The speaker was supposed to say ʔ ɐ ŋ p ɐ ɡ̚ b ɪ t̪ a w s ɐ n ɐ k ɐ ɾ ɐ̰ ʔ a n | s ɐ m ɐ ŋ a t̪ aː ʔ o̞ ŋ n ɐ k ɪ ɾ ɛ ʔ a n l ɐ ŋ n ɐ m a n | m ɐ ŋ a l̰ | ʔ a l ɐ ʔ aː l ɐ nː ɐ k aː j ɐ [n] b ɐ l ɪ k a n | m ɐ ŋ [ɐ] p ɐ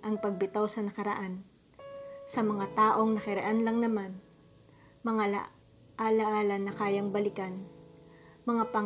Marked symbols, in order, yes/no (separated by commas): no, no